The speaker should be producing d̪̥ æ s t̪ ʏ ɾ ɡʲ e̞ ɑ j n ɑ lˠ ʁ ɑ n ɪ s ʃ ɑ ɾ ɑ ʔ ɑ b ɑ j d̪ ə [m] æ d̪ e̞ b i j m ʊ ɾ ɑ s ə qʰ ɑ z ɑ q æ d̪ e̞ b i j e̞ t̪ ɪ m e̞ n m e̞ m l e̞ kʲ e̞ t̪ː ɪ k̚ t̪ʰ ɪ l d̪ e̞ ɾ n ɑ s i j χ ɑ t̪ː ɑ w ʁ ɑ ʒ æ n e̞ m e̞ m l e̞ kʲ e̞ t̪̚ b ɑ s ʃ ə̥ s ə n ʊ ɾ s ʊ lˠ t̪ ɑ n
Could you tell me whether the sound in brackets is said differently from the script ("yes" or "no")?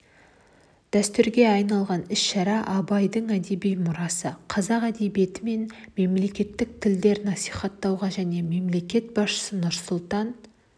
yes